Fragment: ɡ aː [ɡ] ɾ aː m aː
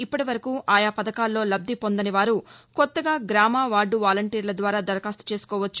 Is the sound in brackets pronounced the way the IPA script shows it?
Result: yes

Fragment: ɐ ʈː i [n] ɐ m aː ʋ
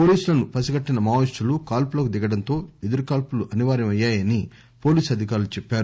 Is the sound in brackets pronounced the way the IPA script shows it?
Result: yes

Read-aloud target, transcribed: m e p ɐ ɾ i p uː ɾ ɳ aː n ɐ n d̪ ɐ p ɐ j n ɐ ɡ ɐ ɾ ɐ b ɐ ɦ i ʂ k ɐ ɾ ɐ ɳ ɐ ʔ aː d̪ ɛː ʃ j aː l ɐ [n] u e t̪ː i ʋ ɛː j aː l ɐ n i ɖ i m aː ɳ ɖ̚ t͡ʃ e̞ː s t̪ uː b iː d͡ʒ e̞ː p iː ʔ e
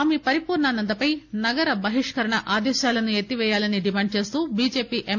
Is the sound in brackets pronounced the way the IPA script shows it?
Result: yes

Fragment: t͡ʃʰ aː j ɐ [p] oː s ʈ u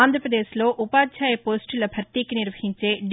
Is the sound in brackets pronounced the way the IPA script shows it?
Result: yes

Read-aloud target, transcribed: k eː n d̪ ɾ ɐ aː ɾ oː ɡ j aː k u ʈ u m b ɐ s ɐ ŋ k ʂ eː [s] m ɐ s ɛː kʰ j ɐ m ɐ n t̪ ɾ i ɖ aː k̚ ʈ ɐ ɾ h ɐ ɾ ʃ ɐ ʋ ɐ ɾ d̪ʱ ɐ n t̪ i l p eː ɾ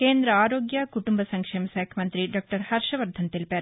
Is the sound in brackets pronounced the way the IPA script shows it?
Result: no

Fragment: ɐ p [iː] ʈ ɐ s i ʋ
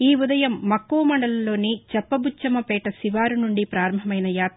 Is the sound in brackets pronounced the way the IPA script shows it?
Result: no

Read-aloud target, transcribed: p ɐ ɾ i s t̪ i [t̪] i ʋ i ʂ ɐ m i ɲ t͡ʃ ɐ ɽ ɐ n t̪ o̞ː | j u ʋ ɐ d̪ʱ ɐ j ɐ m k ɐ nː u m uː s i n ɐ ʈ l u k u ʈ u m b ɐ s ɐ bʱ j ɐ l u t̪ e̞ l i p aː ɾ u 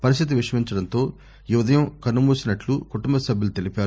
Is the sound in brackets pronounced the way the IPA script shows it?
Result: yes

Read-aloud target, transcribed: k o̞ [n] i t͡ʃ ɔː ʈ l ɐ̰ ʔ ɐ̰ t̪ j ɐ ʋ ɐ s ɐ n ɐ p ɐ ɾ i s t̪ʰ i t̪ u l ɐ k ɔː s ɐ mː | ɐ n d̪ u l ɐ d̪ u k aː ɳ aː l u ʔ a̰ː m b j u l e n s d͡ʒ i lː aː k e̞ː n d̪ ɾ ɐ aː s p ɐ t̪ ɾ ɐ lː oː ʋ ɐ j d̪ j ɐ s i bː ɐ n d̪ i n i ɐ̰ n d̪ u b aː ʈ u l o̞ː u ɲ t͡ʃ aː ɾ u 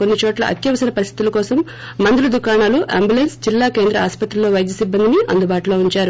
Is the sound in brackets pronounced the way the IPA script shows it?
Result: no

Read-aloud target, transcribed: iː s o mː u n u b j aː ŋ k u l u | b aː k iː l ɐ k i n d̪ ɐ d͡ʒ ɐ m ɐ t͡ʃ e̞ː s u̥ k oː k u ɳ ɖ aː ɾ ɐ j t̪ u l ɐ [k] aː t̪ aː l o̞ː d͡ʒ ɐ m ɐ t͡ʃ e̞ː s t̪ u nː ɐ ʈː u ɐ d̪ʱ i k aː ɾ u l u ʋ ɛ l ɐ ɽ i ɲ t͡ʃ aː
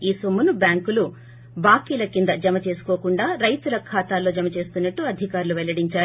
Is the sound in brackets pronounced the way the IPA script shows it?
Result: no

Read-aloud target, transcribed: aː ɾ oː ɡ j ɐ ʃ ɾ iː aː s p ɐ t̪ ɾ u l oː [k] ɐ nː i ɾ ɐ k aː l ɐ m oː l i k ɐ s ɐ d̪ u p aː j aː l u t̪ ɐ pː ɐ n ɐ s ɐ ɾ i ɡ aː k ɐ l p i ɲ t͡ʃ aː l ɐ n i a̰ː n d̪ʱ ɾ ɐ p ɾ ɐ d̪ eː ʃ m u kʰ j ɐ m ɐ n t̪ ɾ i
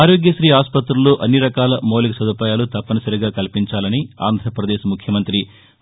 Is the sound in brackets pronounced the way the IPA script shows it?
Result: no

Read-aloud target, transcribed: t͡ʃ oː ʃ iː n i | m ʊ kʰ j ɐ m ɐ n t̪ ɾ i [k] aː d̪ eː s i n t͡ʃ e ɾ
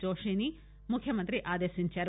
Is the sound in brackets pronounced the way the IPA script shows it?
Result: no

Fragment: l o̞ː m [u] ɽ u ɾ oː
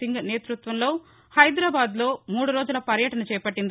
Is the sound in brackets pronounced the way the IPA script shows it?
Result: no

